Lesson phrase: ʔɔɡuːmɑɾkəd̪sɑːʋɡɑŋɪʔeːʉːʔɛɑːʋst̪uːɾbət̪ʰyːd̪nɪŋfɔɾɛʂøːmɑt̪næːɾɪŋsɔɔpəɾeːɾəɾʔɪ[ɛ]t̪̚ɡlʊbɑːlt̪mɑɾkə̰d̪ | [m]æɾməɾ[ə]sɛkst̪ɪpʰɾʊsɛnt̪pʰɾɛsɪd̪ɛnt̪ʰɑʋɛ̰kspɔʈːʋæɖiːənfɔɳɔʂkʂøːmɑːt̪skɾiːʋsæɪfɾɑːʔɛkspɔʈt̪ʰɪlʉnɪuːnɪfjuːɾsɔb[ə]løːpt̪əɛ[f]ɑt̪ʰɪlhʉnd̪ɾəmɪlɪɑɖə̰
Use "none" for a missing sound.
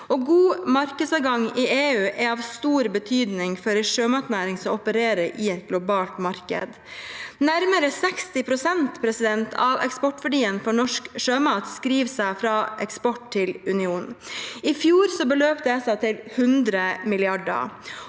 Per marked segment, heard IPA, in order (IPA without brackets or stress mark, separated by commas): ɛ, n, ə, ə, s